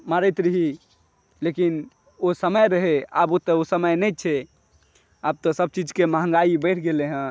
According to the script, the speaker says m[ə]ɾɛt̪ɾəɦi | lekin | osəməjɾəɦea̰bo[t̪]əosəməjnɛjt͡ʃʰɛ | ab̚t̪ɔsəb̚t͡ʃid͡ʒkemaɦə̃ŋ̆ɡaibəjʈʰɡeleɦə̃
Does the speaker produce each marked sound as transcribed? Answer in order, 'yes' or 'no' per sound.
no, yes

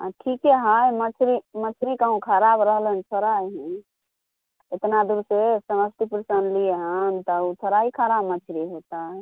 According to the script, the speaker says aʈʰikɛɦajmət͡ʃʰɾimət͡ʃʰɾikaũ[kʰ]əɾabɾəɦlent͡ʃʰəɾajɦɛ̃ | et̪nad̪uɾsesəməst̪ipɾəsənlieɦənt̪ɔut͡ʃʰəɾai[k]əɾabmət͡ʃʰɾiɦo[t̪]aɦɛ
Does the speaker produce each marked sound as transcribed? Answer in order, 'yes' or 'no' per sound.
yes, no, yes

